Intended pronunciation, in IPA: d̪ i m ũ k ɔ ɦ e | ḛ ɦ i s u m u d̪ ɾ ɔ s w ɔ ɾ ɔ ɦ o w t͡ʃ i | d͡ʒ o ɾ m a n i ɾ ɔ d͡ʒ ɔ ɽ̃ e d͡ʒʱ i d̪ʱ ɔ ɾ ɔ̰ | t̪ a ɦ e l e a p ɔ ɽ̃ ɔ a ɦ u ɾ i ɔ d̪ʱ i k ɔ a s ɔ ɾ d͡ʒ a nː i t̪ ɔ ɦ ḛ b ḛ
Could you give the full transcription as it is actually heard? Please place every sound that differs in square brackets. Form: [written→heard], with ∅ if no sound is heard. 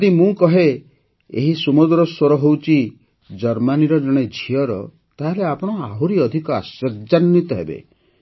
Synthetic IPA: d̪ i m ũ k ɔ ɦ e | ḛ ɦ i s u m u d̪ ɾ ɔ s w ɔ ɾ ɔ ɦ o w t͡ʃ i | d͡ʒ [o→ɔ] ɾ m a n i ɾ ɔ d͡ʒ ɔ ɽ̃ e d͡ʒʱ i [d̪ʱ→∅] ɔ ɾ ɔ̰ | t̪ a ɦ e l e a p ɔ ɽ̃ ɔ a ɦ u ɾ i ɔ d̪ʱ i k ɔ a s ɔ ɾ d͡ʒ a nː i t̪ ɔ ɦ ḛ b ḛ